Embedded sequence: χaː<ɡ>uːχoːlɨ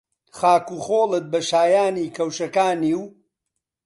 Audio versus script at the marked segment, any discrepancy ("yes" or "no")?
yes